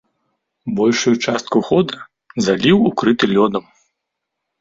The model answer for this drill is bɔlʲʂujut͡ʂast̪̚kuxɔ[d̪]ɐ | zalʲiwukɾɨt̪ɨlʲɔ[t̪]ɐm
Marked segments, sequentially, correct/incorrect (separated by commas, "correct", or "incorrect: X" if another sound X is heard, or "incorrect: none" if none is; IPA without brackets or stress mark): correct, incorrect: d̪